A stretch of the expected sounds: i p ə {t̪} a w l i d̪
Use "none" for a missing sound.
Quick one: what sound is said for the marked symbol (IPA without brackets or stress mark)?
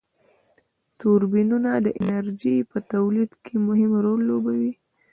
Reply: t̪